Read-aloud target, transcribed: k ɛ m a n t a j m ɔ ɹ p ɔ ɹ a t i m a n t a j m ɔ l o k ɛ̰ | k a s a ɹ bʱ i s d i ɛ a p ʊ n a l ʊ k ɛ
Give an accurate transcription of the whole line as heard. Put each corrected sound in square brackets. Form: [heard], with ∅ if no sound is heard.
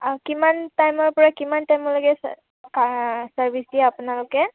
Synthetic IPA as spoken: k [i] m a n t a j m ɔ ɹ p ɔ ɹ a [k] i m a n t a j m ɔ l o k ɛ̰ | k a s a ɹ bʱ i s d i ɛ a p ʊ n a l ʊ k ɛ